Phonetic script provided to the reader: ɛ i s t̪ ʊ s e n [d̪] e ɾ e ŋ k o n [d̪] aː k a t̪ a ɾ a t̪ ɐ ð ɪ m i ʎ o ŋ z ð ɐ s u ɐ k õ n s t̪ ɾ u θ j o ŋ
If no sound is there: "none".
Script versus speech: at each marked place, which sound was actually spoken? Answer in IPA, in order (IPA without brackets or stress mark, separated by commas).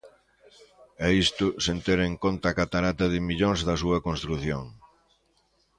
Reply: t̪, t̪